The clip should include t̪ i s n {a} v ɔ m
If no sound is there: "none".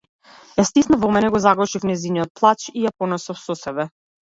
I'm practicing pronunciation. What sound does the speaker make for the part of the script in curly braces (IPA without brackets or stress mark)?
a